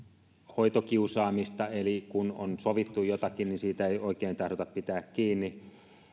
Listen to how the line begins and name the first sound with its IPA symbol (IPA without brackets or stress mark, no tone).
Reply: h